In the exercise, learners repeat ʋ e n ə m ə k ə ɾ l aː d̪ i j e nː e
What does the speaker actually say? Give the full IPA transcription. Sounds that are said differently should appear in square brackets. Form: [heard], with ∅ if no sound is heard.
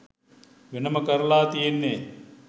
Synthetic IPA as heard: ʋ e n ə m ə k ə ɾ l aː [t̪] i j e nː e